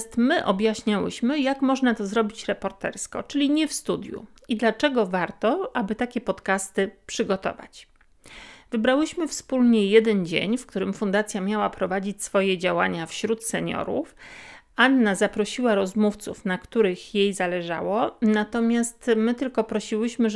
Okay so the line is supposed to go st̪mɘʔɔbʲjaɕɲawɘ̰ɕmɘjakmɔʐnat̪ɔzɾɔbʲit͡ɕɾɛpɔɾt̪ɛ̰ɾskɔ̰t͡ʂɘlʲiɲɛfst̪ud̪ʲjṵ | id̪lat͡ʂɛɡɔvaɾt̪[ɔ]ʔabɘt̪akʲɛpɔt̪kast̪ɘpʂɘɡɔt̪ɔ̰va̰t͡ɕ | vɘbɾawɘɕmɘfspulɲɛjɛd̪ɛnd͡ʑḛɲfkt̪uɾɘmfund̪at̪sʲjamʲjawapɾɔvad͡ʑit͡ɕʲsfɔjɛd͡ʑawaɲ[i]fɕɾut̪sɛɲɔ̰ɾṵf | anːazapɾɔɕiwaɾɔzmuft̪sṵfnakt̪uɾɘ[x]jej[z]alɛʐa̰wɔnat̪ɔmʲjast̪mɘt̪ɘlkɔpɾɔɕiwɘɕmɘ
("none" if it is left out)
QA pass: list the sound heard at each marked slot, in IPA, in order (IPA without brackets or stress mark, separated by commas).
ɔ, a, x, z